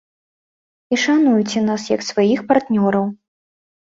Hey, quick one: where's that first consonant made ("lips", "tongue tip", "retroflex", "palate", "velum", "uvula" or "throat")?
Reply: retroflex